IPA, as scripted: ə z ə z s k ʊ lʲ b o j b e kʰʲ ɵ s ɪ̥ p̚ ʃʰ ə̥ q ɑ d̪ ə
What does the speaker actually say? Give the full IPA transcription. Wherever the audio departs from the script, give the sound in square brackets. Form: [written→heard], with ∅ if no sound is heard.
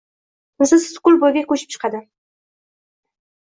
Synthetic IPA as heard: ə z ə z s k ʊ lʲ b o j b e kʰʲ ɵ [s→ʃ] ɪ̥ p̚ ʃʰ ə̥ q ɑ d̪ ə